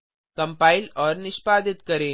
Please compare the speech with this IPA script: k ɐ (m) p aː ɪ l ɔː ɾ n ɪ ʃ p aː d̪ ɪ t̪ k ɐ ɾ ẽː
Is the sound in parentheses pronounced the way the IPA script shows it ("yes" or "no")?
yes